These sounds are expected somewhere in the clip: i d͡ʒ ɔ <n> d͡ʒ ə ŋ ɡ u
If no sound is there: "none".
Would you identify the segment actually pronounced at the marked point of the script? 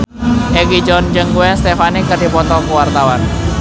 n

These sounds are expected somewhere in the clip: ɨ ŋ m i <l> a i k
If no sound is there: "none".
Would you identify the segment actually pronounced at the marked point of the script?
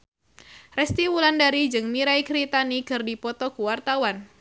ɾ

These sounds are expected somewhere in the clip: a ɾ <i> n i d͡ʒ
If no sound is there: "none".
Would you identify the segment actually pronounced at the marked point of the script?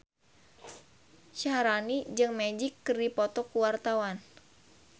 a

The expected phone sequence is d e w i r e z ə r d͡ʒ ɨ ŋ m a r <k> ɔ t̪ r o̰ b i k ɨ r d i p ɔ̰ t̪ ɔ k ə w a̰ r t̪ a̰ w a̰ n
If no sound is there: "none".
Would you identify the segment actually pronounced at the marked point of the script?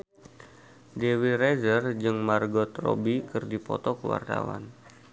ɡ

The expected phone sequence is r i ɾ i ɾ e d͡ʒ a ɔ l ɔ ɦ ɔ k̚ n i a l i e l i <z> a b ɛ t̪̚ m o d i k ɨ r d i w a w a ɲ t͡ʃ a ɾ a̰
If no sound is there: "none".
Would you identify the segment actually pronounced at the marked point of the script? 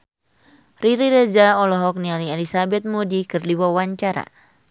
s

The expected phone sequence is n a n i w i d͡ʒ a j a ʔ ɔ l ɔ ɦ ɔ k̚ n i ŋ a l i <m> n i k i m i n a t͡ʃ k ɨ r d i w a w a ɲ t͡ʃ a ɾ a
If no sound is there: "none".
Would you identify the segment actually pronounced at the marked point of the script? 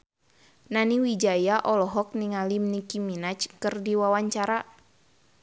m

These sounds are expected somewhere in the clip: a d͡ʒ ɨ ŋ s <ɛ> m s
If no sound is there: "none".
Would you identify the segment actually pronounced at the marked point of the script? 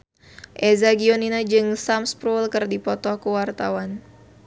a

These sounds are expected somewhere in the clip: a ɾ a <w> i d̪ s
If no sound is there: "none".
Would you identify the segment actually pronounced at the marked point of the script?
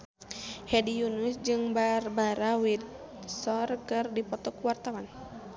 w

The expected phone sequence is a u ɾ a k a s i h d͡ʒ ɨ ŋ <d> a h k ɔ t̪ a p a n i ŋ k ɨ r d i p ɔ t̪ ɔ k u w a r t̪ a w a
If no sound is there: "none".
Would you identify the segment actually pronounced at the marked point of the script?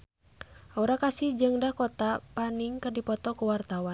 d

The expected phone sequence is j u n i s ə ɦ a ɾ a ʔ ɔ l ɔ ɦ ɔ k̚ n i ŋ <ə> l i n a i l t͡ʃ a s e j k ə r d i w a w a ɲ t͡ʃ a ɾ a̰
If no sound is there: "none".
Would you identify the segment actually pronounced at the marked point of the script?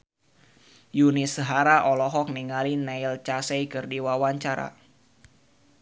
a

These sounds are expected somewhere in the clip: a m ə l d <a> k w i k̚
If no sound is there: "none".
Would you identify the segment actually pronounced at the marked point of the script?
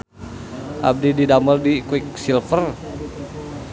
i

